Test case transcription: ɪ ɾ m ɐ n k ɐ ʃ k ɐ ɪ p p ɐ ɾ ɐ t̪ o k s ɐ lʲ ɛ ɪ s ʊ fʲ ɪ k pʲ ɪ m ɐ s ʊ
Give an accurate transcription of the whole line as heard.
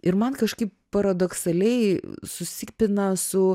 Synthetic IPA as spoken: ɪ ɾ m ɐ n k ɐ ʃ k ɐ ɪ p p ɐ ɾ ɐ d̪ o k s ɐ lʲ ɛ ɪ s ʊ sʲ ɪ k pʲ ɪ n ɐ s ʊ